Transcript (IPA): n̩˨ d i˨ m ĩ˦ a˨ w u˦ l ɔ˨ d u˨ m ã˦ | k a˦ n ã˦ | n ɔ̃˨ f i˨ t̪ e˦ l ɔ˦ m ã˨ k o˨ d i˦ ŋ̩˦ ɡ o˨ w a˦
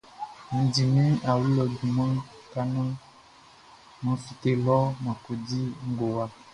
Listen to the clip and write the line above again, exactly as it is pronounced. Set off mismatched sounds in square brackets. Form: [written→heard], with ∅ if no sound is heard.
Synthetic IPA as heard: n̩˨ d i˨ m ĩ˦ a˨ w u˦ l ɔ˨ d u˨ m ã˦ | k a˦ n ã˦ | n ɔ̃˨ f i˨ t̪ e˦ l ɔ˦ m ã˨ k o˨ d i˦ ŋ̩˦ ɡ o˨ w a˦